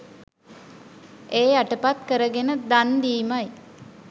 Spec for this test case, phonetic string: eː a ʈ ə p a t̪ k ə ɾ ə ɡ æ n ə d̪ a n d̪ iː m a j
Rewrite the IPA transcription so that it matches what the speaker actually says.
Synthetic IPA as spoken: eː a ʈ ə p a t̪ k ə ɾ ə ɡ e n ə d̪ a n d̪ iː m a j